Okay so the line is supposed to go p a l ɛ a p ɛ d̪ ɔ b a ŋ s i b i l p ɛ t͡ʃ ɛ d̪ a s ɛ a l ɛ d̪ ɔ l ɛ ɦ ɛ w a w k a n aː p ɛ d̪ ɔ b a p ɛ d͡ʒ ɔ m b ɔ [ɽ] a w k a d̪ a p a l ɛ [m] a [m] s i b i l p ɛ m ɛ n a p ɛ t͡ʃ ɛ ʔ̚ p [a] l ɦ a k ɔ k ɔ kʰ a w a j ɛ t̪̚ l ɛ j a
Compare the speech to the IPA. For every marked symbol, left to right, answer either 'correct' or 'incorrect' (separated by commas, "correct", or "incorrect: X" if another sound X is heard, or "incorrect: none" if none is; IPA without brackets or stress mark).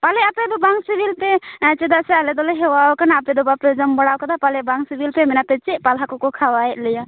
correct, incorrect: b, incorrect: ŋ, correct